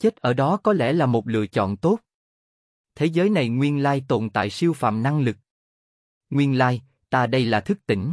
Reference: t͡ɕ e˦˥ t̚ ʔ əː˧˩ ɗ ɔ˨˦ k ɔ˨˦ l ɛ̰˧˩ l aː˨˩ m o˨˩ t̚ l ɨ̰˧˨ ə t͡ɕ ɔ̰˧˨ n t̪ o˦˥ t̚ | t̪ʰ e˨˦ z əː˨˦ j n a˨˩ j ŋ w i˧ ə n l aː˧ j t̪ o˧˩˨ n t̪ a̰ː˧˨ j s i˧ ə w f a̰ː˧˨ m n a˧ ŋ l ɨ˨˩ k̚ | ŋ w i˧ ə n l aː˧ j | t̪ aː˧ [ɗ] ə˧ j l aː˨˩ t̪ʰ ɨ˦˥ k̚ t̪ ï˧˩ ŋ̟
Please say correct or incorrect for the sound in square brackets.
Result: correct